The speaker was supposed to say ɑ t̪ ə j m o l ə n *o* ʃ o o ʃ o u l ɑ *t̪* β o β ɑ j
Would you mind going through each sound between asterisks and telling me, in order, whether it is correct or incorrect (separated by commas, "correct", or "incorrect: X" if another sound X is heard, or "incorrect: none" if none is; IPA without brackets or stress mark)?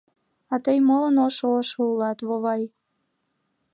correct, correct